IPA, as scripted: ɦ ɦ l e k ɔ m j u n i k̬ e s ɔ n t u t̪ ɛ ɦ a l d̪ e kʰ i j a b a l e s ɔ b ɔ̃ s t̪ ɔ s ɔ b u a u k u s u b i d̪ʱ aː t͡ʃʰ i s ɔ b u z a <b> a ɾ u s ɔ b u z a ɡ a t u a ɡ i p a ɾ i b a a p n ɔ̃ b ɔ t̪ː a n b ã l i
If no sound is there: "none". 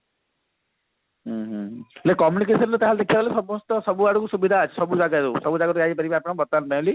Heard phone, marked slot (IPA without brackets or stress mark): ɡ